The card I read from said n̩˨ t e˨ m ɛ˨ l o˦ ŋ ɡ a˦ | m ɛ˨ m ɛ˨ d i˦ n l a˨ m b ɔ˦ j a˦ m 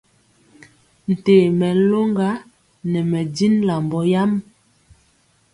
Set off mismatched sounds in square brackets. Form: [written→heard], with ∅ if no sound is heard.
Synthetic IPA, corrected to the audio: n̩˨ t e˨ m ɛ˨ l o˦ ŋ ɡ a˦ | [m→n] ɛ˨ m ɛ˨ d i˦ n l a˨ m b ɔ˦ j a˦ m